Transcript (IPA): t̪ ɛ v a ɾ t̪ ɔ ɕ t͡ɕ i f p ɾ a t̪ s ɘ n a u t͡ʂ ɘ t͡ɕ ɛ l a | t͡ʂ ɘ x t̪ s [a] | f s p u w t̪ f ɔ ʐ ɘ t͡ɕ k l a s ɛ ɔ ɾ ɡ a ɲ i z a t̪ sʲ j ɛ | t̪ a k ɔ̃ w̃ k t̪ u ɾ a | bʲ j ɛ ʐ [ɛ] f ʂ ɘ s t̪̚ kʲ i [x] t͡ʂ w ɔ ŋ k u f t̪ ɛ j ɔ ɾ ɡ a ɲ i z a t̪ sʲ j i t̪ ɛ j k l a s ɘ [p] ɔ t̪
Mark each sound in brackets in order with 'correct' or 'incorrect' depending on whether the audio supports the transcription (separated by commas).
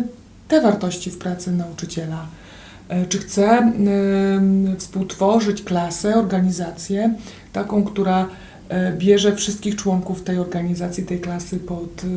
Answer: incorrect, correct, correct, correct